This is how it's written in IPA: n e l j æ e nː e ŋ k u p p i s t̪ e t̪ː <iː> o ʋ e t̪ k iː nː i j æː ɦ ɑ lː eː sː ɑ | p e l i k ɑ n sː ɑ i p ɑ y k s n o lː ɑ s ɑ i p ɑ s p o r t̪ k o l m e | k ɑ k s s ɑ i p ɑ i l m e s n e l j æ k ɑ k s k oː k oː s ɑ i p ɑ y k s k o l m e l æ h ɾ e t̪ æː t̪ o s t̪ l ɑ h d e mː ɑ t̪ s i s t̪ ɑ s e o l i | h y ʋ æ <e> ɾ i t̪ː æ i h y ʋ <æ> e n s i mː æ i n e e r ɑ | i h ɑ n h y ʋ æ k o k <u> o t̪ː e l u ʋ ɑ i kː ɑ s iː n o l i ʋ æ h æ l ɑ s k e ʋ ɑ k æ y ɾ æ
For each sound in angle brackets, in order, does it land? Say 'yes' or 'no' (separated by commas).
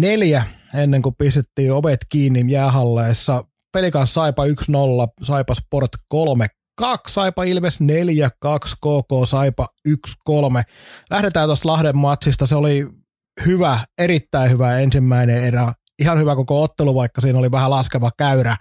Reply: yes, yes, yes, no